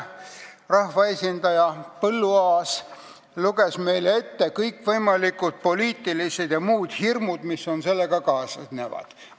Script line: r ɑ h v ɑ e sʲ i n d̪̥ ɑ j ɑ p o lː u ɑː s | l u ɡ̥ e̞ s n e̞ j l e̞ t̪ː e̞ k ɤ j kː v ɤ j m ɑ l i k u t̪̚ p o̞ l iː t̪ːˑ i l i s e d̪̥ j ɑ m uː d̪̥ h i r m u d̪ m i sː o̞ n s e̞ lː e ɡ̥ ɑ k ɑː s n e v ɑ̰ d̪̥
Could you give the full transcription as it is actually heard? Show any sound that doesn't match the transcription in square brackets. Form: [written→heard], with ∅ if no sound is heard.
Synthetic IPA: r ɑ h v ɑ e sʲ i n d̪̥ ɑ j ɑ p [o→ɤ] lː u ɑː s | l u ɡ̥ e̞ s [n→m] e̞ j l e̞ t̪ː e̞ k ɤ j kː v ɤ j m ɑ l i k u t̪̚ p o̞ l iː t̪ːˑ i l i s e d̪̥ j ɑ m uː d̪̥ h i r m u d̪ m i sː o̞ n s e̞ lː e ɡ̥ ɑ k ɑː s n e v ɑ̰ d̪̥